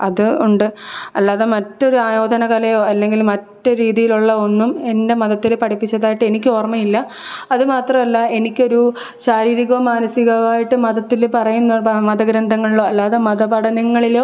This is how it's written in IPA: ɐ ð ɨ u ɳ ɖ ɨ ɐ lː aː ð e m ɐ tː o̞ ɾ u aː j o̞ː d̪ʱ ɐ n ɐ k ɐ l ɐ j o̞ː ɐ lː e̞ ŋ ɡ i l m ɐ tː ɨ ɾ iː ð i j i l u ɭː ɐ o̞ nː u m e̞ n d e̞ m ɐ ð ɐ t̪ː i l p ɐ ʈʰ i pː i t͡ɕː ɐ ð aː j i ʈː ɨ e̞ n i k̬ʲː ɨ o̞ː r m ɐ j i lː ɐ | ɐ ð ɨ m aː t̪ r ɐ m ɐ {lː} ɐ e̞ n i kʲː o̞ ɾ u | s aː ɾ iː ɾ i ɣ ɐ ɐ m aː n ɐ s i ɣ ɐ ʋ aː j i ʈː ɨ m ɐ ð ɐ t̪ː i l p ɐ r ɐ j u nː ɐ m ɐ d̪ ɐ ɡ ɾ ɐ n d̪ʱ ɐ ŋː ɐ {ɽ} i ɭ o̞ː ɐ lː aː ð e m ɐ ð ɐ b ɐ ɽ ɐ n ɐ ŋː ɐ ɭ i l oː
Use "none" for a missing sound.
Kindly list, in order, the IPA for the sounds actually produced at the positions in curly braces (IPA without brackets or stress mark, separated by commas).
lː, ɭ